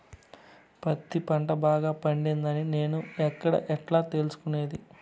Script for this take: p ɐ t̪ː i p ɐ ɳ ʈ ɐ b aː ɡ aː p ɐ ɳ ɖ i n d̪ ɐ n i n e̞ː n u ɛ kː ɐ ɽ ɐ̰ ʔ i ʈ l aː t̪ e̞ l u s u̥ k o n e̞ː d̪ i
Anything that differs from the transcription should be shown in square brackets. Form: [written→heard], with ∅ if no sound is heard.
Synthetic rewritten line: p ɐ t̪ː i p ɐ ɳ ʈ ɐ b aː ɡ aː p ɐ ɳ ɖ i n d̪ ɐ n i n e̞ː n u ɛ kː ɐ ɽ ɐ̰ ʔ [i→ɛ] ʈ l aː t̪ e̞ l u s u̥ k [o→u] n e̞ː d̪ i